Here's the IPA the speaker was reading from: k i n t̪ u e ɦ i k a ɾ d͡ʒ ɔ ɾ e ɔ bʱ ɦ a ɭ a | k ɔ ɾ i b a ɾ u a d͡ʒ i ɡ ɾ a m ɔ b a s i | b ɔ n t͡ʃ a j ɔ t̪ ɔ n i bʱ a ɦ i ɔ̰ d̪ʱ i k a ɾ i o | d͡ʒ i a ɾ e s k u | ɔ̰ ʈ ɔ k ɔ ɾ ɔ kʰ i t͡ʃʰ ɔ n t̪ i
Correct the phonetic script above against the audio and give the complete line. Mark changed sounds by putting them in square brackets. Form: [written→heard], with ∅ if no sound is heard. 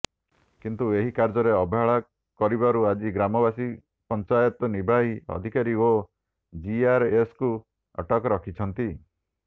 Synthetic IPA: k i n t̪ u e ɦ i k a ɾ d͡ʒ ɔ ɾ e ɔ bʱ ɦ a ɭ a | k ɔ ɾ i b a ɾ u a d͡ʒ i ɡ ɾ a m ɔ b a s i | [b→p] ɔ n t͡ʃ a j ɔ t̪ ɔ n i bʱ a ɦ i ɔ̰ d̪ʱ i k a ɾ i o | d͡ʒ i a ɾ e s k u | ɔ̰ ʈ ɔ k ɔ ɾ ɔ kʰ i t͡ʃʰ ɔ n t̪ i